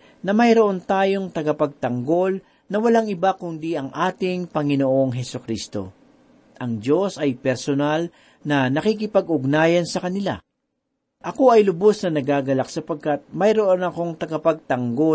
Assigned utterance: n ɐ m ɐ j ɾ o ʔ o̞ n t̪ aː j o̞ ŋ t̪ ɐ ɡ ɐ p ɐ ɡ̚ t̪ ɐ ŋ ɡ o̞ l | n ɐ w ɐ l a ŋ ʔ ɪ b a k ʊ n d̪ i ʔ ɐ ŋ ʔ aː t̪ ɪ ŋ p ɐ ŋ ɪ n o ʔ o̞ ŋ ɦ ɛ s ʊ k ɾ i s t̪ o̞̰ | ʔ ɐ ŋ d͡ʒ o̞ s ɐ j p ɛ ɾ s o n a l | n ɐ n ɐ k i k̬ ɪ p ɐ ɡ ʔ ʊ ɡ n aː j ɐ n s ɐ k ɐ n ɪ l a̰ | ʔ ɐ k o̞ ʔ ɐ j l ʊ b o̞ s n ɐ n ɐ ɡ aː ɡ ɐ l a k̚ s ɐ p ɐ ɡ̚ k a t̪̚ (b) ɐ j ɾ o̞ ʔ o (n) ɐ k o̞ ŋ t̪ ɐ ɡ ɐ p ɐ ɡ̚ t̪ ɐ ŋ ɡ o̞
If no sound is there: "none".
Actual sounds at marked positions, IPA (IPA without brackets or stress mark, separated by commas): m, n